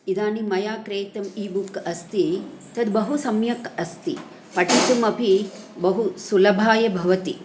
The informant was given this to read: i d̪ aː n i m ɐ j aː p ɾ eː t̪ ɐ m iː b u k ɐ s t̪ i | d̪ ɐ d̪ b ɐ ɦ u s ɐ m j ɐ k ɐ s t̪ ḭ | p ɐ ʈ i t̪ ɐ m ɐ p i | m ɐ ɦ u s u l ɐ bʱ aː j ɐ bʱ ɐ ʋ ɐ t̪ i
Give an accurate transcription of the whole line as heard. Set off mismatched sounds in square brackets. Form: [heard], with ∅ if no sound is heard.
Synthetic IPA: i d̪ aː n i m ɐ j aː [k] ɾ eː t̪ ɐ m iː b u k ɐ s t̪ i | [t̪] ɐ d̪ b ɐ ɦ u s ɐ m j ɐ k ɐ s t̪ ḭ | p ɐ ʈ i t̪ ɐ m ɐ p i | [b] ɐ ɦ u s u l ɐ bʱ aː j ɐ bʱ ɐ ʋ ɐ t̪ i